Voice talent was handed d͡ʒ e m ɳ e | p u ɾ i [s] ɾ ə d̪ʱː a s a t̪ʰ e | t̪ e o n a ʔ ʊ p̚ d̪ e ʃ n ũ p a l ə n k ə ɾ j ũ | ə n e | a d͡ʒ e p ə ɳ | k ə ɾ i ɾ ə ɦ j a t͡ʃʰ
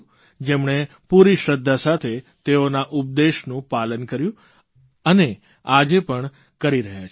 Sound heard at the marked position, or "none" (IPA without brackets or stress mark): ʃ